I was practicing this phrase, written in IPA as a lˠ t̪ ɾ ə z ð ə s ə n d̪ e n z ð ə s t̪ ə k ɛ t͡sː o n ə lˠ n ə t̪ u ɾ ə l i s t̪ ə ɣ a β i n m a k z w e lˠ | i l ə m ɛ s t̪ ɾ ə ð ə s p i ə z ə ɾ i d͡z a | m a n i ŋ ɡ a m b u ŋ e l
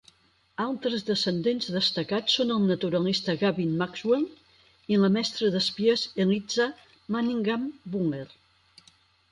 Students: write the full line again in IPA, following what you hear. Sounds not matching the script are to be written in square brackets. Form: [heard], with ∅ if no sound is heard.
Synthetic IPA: a lˠ t̪ ɾ ə z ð ə s ə n d̪ e n z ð ə s t̪ ə k [a] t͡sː o n ə lˠ n ə t̪ u ɾ ə l i s t̪ ə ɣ a β i n m a k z w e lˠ | i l ə m ɛ s t̪ ɾ ə ð ə s p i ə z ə [l] i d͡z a | m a n i ŋ ɡ a m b u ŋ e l